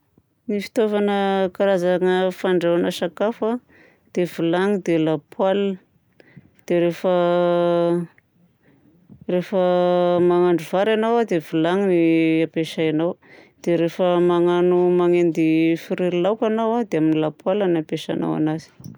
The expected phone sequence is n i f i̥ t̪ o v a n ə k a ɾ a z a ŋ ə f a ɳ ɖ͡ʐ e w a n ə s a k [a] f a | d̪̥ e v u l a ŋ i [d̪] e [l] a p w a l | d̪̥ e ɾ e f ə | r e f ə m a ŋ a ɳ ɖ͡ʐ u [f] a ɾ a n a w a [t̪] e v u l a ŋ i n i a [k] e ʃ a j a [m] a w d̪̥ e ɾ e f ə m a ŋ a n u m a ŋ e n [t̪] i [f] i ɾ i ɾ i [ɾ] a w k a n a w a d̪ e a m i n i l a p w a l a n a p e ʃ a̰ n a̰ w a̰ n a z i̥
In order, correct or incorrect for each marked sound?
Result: correct, correct, correct, incorrect, incorrect, incorrect, incorrect, incorrect, correct, incorrect

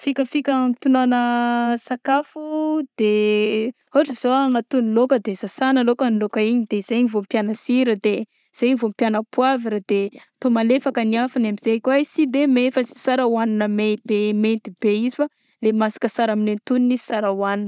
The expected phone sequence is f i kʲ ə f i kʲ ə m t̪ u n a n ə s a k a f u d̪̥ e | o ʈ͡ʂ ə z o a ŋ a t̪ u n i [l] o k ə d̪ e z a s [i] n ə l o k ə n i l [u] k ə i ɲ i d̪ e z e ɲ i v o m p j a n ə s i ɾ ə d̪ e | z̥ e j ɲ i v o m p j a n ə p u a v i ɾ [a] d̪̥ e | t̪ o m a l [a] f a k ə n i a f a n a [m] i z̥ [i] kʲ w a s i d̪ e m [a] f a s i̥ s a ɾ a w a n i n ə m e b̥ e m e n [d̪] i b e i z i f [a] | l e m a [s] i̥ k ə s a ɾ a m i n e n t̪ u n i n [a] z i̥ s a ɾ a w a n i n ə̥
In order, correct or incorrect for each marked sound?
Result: correct, incorrect, incorrect, correct, incorrect, correct, incorrect, incorrect, incorrect, correct, correct, incorrect

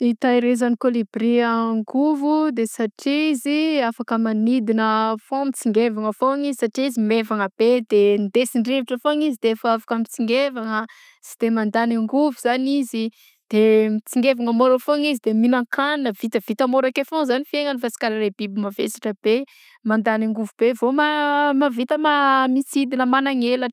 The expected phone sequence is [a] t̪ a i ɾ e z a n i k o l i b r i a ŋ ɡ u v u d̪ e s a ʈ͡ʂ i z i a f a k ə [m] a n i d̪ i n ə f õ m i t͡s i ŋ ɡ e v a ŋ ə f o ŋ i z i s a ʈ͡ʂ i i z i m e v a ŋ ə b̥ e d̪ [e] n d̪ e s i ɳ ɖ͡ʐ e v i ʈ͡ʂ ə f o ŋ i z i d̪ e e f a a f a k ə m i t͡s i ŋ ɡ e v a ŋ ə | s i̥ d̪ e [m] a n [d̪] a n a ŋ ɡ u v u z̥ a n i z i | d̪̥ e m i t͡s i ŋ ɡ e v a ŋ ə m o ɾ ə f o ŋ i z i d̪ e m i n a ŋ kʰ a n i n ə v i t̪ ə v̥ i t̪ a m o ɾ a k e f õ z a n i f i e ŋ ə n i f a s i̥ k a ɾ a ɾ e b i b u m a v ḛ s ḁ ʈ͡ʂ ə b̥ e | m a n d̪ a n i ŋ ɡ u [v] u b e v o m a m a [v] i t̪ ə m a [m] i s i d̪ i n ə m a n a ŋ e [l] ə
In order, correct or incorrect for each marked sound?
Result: incorrect, correct, correct, correct, correct, correct, correct, correct, correct

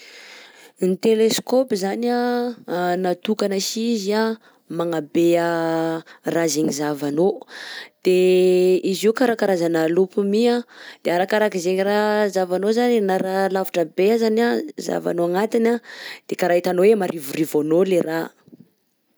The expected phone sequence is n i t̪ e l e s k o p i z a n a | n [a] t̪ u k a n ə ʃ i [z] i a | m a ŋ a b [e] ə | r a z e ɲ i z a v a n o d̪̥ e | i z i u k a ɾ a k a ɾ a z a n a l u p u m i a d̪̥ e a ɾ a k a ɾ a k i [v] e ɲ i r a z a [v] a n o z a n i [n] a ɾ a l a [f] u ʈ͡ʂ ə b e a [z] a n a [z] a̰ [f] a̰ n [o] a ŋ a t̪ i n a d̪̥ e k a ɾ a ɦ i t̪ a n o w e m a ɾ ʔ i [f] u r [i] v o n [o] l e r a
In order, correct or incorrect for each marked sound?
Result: correct, correct, correct, incorrect, correct, correct, incorrect, correct, correct, incorrect, correct, incorrect, correct, correct

